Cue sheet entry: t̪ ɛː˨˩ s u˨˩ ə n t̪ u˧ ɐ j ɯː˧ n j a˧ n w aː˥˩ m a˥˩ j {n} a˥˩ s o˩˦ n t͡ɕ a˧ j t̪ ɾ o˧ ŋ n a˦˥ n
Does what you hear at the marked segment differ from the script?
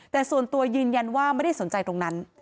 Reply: yes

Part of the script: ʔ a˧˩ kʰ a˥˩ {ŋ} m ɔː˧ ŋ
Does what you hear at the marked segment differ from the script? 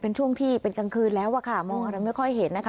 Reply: yes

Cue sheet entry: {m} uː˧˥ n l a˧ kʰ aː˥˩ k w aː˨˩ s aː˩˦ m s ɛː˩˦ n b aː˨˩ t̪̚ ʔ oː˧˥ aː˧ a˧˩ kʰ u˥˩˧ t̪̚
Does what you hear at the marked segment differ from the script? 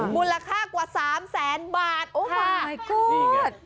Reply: no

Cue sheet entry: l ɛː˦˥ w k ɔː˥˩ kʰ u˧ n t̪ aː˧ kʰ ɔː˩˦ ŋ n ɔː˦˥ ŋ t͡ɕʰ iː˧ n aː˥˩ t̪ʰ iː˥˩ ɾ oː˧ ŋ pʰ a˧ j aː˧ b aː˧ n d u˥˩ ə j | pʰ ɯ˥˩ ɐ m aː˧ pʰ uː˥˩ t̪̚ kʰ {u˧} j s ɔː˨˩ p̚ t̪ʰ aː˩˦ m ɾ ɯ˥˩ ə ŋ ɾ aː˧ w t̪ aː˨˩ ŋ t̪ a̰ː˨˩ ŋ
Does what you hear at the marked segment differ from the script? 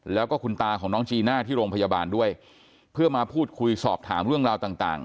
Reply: no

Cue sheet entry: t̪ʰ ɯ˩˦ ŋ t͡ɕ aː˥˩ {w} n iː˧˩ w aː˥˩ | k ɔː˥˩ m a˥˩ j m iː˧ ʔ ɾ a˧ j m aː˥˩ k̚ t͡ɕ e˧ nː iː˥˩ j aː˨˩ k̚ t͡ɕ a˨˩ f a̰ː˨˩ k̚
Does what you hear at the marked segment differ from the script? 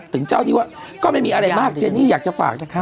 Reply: no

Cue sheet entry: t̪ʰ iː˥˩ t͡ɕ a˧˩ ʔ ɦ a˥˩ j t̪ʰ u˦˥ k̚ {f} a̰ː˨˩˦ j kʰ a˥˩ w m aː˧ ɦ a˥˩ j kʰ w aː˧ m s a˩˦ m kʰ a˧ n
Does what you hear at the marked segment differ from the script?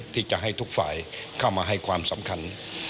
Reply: no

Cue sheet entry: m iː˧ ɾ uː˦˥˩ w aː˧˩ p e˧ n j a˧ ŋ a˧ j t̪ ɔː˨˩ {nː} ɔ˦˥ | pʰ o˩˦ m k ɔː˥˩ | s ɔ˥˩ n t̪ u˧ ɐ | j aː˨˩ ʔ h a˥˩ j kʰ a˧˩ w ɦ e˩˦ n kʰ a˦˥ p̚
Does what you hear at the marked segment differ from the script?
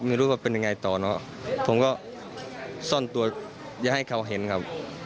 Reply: yes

